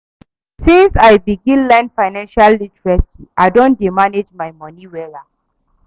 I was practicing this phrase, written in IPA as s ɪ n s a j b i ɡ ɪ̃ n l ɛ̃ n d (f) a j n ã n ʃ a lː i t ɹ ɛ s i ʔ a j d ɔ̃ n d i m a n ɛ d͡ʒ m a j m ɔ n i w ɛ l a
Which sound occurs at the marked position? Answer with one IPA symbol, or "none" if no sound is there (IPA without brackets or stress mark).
f